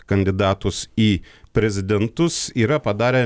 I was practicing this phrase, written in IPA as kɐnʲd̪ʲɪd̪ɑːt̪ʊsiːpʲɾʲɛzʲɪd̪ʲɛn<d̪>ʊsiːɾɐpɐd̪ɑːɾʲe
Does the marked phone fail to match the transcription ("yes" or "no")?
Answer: yes